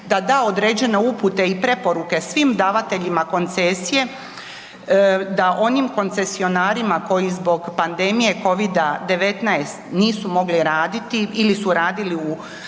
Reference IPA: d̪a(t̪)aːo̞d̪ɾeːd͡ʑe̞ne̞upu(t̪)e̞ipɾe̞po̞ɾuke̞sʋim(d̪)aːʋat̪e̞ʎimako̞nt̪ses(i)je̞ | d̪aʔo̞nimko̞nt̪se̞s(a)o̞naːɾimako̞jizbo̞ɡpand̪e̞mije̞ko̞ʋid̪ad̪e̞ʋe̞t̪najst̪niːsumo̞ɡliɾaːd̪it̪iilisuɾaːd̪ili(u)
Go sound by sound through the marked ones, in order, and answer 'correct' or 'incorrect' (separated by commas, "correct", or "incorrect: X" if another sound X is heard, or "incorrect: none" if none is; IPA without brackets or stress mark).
incorrect: d̪, correct, correct, correct, incorrect: i, correct